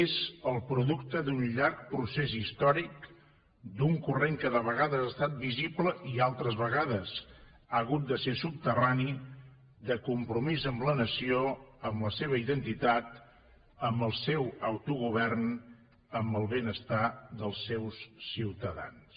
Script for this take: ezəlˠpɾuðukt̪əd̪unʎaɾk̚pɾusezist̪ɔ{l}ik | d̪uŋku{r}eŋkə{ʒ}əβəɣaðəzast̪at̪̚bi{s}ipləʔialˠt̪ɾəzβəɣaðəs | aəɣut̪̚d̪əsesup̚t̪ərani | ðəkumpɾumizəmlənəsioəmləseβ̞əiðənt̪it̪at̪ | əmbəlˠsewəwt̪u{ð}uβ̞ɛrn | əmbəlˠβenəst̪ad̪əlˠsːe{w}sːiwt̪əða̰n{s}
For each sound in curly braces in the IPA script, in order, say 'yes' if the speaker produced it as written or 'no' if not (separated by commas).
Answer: no, yes, no, no, no, yes, yes